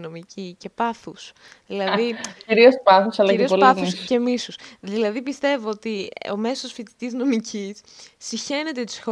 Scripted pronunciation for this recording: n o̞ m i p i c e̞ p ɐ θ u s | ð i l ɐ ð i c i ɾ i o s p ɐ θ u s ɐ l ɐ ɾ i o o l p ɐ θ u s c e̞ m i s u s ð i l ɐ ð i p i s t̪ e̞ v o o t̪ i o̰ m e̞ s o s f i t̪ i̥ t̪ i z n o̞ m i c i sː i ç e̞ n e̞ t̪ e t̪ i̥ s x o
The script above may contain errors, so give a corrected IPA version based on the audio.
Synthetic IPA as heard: n o̞ m i c i c e̞ p ɐ θ u s | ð i l ɐ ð i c i ɾ i o s p ɐ θ u s ɐ l ɐ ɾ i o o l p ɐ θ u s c e̞ m i s u s ð i l ɐ ð i p i s t̪ e̞ v o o t̪ i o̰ m e̞ s o s f i t̪ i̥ t̪ i z n o̞ m i c i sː i ç e̞ n e̞ t̪ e t̪ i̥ s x o